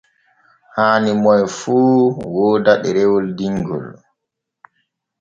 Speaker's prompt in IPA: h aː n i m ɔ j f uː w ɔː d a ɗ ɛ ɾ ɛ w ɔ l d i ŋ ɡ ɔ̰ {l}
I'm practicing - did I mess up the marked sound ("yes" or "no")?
no